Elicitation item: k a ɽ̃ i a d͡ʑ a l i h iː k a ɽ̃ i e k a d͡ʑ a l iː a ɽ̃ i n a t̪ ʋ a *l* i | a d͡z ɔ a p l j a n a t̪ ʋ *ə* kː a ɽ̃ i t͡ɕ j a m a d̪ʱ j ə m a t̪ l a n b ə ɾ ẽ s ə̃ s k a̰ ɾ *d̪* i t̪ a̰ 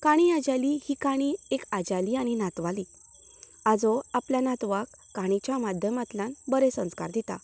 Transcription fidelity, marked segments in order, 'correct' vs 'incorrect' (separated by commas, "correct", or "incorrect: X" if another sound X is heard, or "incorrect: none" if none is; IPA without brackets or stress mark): correct, incorrect: a, correct